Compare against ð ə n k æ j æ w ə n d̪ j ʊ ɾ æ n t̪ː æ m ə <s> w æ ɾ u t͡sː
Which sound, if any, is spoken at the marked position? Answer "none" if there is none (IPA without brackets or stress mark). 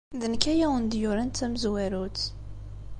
z